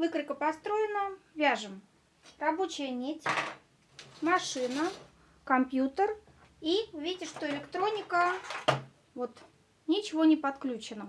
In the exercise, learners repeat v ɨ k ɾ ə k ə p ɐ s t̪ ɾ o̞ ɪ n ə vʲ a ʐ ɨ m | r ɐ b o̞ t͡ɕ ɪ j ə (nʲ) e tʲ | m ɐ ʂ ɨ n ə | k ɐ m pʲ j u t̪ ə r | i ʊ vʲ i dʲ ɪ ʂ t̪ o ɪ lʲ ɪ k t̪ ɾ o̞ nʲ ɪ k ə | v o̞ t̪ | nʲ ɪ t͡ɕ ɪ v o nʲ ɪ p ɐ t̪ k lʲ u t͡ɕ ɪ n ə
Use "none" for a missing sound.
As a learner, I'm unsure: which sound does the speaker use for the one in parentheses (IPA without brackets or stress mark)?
nʲ